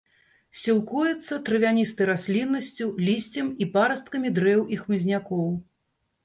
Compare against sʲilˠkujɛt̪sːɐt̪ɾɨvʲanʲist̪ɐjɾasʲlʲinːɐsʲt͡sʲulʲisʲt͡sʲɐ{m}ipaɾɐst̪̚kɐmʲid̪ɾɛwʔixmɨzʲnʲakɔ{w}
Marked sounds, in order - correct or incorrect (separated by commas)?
correct, correct